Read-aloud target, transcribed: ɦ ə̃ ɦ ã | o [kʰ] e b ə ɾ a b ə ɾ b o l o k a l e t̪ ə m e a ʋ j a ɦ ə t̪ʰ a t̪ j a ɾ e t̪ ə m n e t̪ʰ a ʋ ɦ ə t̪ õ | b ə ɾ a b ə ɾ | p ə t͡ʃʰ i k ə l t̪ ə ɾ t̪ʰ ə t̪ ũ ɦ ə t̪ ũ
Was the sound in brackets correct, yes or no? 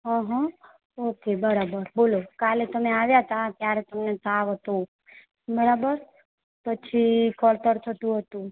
no